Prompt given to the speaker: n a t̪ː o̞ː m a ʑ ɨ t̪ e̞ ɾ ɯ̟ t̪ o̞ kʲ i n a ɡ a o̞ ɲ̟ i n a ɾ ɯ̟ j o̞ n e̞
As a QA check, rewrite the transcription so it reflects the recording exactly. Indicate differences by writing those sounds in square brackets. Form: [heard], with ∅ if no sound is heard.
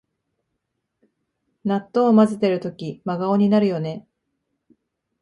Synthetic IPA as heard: n a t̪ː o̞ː m a [z] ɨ t̪ e̞ ɾ ɯ̟ t̪ o̞ kʲ i [m] a ɡ a o̞ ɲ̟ i n a ɾ ɯ̟ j o̞ n e̞